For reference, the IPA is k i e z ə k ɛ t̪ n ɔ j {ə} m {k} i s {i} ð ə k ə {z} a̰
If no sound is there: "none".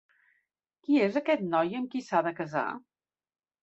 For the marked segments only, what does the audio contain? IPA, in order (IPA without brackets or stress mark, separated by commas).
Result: ə, k, a, z